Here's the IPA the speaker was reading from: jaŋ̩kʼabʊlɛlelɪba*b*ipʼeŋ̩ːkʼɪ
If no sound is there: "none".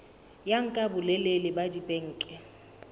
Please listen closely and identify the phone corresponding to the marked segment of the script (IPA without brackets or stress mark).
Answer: d